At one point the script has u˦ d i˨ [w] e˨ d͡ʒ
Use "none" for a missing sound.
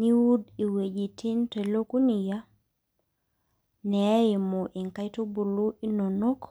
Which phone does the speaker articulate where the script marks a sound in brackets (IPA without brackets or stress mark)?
w